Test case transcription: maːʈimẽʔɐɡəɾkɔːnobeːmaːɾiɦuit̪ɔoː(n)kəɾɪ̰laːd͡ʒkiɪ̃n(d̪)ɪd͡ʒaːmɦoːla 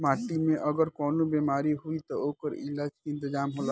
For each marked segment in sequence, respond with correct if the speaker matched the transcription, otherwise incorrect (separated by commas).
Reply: incorrect, incorrect